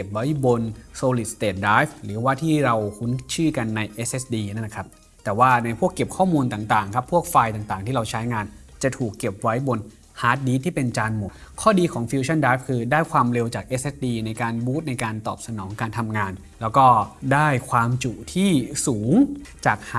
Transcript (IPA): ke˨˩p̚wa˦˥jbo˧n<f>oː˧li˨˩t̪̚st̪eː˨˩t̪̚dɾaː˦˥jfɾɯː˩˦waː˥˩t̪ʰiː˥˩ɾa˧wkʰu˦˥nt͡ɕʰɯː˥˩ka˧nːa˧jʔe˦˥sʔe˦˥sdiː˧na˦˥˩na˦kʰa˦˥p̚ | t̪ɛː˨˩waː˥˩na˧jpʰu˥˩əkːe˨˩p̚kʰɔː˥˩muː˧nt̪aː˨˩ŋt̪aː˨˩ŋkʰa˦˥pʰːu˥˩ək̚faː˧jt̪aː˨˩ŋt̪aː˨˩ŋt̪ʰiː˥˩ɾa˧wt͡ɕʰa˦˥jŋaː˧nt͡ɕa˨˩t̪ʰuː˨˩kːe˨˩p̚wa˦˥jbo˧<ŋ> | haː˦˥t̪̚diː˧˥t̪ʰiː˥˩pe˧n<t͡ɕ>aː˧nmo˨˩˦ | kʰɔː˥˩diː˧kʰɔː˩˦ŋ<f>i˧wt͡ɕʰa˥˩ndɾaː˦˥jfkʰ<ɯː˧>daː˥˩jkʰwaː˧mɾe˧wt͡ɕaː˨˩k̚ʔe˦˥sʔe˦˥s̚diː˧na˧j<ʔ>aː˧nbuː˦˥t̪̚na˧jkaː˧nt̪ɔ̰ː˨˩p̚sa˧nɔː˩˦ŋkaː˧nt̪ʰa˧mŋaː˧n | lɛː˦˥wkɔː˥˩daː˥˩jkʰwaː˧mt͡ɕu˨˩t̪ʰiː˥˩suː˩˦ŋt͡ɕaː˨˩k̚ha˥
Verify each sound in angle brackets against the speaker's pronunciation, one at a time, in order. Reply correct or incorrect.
incorrect: s, incorrect: n, correct, correct, correct, incorrect: k

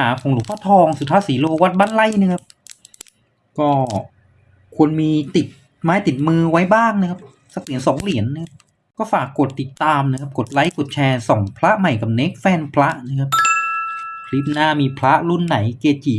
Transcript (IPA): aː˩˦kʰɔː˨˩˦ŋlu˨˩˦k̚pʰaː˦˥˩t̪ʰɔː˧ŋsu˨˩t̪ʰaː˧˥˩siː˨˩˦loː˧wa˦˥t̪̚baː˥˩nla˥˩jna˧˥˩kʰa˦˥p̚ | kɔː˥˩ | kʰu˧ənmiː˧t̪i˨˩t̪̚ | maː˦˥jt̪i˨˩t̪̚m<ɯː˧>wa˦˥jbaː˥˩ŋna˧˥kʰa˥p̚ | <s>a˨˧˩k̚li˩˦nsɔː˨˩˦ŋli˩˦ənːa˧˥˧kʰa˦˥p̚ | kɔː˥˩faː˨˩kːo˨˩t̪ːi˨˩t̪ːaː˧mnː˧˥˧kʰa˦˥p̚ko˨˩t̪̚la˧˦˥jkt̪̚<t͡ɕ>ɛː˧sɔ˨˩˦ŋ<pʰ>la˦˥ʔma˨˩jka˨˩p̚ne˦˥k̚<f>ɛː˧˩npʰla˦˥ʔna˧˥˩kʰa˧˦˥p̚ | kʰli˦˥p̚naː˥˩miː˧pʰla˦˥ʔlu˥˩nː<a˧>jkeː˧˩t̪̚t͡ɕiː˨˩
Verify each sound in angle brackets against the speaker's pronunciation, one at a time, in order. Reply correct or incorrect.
correct, correct, incorrect: t͡ɕʰ, correct, correct, incorrect: a˩˦

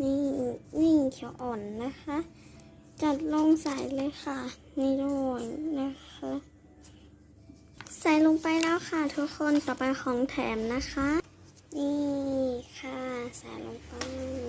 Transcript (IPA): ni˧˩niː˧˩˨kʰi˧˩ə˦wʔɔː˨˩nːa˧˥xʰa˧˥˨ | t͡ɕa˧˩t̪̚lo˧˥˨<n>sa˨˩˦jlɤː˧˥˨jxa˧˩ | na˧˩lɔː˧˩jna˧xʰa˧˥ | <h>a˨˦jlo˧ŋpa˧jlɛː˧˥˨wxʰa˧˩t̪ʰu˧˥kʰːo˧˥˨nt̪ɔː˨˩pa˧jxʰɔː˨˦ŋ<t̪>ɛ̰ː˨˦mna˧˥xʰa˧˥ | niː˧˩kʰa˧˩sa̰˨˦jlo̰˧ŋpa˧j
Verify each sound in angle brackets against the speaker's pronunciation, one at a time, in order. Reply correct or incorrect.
incorrect: ŋ, incorrect: s, incorrect: t̪ʰ

